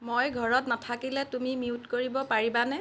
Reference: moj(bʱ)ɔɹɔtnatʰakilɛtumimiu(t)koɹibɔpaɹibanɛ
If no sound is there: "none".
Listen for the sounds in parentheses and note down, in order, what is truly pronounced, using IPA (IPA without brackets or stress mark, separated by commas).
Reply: ɡʱ, t